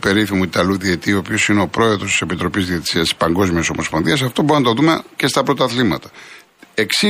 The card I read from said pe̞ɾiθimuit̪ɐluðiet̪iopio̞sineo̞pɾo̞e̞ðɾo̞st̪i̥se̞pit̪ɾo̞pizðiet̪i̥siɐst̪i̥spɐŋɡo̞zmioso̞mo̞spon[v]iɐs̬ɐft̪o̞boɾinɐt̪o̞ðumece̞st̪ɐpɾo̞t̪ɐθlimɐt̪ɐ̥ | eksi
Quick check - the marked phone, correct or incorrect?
incorrect